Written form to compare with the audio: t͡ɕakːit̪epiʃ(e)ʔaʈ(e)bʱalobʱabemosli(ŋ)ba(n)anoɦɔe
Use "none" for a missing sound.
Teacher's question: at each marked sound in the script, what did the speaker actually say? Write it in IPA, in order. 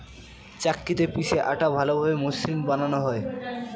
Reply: e, a, m, n

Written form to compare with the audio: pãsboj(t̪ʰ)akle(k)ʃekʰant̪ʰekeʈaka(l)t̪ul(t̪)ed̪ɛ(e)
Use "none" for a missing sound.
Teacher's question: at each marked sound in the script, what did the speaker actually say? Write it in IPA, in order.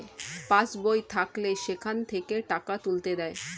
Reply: t̪ʰ, none, none, t̪, e

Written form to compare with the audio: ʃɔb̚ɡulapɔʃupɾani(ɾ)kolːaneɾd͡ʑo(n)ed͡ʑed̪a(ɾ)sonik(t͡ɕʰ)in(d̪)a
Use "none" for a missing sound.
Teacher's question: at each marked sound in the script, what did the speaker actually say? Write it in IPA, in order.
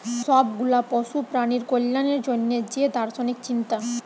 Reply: ɾ, nː, ɾ, t͡ɕ, t̪

